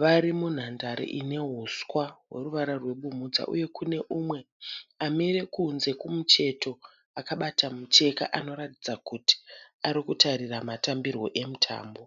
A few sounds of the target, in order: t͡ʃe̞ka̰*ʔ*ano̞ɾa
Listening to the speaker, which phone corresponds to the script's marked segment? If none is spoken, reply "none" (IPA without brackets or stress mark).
ʔ